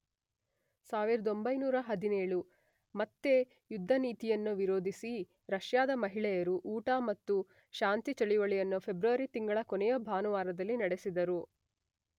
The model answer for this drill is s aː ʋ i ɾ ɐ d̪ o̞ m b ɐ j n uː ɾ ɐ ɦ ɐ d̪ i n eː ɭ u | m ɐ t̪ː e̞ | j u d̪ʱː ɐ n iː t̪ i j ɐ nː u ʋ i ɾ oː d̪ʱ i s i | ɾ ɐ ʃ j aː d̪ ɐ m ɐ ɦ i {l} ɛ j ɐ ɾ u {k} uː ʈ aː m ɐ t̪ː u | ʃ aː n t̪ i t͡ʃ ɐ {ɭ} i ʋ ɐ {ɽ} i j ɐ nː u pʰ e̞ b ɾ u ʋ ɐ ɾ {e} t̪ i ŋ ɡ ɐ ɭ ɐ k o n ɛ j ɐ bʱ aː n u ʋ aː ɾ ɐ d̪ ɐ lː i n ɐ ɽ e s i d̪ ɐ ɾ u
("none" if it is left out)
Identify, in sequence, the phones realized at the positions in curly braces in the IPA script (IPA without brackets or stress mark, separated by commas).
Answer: ɭ, ʔ, ɭ, ɭ, i